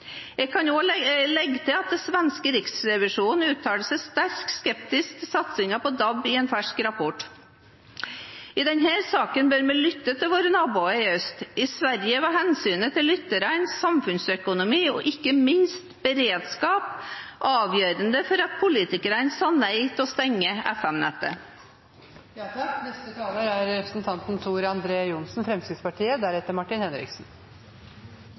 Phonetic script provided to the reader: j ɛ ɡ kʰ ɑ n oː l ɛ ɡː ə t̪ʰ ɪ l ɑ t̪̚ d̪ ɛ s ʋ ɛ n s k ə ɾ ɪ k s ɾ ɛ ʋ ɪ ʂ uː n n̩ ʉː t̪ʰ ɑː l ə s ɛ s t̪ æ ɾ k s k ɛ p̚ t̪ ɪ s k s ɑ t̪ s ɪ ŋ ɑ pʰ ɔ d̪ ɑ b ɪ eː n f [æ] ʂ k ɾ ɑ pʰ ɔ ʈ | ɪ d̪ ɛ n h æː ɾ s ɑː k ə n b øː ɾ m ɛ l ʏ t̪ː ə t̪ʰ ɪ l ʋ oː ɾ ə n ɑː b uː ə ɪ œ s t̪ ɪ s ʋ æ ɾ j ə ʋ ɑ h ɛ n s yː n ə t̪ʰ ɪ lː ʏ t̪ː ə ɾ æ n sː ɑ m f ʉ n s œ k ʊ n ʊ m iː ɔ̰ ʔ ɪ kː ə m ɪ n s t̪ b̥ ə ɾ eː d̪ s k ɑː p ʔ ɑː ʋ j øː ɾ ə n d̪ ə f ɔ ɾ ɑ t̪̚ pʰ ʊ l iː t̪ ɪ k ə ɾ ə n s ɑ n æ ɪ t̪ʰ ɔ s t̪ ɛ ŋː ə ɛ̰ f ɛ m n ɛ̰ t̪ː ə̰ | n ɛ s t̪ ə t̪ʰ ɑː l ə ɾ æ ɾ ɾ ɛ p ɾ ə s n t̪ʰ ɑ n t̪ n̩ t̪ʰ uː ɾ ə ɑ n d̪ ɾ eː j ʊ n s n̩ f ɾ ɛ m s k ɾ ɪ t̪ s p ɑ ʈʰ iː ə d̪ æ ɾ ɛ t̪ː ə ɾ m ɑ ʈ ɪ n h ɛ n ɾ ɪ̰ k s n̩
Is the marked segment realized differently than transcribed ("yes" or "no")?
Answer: no